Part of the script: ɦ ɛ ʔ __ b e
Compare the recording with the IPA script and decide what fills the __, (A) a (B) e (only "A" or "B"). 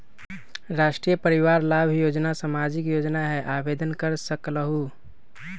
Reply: A